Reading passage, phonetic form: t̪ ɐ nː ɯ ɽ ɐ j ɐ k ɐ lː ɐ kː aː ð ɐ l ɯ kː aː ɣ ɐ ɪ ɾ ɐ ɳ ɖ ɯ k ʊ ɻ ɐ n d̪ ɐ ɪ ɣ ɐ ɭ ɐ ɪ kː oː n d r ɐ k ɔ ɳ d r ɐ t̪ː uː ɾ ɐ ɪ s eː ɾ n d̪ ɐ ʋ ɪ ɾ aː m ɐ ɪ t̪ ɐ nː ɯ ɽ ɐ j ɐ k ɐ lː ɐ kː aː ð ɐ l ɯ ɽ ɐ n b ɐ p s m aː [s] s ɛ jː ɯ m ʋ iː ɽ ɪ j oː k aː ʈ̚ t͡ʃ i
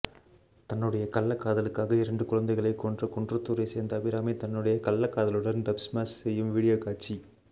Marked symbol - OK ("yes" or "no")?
yes